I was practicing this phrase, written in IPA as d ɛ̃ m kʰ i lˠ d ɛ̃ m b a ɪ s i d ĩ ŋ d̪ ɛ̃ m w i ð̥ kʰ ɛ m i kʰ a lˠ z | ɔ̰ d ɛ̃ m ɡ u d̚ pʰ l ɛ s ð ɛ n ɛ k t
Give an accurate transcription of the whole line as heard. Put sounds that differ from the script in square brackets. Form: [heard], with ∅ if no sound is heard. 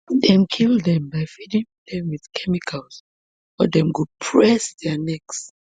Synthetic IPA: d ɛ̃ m kʰ i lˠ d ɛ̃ m b a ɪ [f] i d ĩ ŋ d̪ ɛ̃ m w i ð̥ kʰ ɛ m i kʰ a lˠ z | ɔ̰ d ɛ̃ m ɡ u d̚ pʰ [ɹ] ɛ s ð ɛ n ɛ k [s]